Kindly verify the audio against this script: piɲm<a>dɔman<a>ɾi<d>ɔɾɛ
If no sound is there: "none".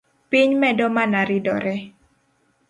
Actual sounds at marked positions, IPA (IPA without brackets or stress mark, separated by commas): ɛ, a, d